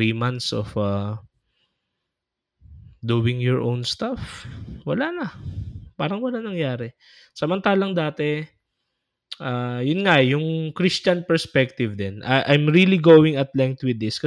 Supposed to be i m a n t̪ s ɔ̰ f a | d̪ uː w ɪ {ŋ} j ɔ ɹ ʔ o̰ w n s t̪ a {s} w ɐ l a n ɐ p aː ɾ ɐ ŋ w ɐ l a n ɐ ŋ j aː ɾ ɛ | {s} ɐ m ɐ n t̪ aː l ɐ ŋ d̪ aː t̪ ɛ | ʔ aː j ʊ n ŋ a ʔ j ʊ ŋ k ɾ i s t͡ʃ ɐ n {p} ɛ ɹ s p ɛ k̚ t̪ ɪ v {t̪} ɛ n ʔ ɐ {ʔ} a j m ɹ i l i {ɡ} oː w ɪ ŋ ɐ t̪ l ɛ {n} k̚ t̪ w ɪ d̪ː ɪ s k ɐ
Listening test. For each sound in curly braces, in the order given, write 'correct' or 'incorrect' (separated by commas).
correct, incorrect, correct, correct, incorrect, correct, correct, incorrect